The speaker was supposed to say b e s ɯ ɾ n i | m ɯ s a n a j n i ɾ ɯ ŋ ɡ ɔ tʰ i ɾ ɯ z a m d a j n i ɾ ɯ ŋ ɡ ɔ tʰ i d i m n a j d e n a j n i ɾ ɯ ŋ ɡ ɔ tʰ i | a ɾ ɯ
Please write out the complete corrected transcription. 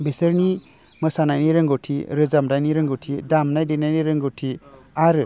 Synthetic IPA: b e s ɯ ɾ n i | m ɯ s a n a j n i ɾ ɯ ŋ ɡ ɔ tʰ i ɾ ɯ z a m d a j n i ɾ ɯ ŋ ɡ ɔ tʰ i d a m n a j d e n a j n i ɾ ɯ ŋ ɡ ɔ tʰ i | a ɾ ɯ